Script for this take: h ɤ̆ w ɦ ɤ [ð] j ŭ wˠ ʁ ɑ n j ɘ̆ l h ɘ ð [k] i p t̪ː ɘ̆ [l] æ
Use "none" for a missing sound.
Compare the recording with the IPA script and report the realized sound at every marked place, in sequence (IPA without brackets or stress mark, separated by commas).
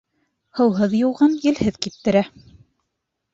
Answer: ð, k, ɾ